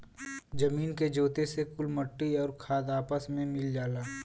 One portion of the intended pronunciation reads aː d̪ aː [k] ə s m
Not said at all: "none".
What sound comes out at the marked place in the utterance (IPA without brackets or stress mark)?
p